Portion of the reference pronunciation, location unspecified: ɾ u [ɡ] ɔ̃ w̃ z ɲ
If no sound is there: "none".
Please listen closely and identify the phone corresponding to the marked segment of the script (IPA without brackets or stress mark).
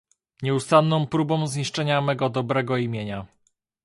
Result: b